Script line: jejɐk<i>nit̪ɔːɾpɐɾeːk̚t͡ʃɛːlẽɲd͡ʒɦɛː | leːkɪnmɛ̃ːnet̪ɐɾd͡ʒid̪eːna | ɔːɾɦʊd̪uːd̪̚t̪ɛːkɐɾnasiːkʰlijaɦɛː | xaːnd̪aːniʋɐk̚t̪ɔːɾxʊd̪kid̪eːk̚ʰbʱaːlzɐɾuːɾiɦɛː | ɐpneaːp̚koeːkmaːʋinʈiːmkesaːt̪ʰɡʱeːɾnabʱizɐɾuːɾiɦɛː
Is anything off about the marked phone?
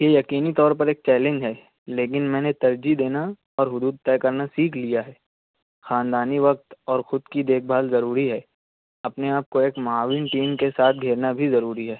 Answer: yes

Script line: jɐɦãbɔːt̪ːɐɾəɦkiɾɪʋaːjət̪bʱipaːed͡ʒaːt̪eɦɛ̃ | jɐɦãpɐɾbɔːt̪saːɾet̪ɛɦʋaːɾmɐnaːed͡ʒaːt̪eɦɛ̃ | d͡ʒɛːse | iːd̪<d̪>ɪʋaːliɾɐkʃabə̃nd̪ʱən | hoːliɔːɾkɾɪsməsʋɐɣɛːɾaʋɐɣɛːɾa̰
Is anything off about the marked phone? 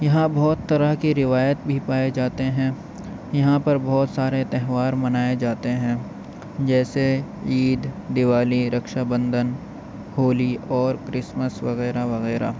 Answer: no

